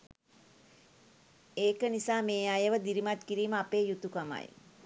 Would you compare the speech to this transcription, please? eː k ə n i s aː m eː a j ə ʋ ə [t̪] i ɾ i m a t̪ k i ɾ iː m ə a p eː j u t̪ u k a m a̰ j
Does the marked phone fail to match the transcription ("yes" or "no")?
yes